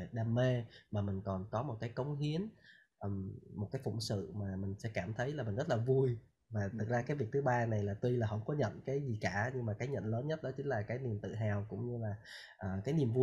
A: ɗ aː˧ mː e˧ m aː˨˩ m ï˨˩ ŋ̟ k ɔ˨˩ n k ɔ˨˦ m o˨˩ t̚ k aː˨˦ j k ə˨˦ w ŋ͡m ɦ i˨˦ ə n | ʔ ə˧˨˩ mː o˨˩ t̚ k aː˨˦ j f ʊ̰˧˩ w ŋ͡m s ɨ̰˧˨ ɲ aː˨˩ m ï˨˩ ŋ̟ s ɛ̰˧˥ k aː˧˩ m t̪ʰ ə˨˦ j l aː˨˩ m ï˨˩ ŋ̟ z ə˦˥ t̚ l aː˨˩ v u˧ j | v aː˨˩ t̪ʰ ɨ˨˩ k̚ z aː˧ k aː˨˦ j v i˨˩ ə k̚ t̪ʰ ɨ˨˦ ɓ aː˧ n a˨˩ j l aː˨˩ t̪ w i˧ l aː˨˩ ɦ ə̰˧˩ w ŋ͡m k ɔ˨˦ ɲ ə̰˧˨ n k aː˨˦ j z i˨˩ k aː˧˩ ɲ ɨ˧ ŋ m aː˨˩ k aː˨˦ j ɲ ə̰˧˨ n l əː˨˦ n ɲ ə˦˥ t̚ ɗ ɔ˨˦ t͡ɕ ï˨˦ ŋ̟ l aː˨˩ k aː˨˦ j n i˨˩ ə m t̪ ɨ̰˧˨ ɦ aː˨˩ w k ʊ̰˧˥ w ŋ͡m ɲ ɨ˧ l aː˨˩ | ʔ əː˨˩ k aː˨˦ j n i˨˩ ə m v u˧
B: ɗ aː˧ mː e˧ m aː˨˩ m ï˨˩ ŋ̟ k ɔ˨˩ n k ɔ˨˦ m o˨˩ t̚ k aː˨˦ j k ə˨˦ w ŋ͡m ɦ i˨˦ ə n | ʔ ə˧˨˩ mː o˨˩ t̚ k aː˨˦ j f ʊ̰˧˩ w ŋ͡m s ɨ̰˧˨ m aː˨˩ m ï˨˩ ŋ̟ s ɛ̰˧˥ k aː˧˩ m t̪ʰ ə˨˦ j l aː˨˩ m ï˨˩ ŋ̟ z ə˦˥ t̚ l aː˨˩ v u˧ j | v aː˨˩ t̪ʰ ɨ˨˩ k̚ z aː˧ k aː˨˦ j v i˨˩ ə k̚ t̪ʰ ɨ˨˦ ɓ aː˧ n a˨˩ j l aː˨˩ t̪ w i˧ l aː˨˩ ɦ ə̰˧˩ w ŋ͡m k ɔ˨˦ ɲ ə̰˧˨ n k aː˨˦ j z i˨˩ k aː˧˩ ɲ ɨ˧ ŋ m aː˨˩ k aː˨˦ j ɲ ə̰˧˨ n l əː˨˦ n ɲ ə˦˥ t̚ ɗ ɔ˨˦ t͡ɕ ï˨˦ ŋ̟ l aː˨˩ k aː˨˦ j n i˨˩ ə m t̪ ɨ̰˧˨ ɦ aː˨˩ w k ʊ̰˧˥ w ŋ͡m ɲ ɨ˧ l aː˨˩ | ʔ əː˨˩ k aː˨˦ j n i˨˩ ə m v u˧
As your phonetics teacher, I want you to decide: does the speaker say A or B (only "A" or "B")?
B